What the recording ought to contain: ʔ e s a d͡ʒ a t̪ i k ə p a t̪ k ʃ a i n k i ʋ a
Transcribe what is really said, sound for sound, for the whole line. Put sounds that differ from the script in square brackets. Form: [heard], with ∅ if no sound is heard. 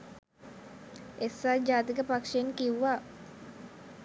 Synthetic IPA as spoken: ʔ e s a d͡ʒ a t̪ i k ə p a [∅] k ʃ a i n k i [w] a